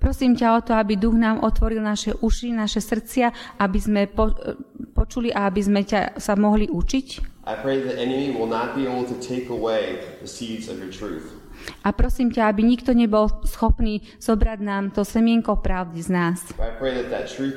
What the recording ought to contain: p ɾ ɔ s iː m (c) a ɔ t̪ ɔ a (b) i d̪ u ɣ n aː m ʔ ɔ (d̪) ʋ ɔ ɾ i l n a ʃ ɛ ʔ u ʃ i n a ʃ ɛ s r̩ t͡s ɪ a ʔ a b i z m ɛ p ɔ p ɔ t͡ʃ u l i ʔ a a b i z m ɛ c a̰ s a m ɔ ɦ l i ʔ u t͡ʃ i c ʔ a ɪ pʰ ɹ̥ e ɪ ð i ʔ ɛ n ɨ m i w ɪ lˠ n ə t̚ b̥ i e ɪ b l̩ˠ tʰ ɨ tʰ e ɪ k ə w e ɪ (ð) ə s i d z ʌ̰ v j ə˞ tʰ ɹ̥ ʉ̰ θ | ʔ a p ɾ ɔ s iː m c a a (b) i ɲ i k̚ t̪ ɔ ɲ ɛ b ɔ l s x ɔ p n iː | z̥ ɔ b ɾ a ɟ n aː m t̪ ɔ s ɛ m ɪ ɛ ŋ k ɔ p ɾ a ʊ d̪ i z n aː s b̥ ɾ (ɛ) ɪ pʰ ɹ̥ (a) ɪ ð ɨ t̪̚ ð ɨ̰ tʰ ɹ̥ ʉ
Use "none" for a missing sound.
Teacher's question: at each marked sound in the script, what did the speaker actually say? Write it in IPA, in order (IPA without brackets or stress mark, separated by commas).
c, b, t̪, ð, b, a, e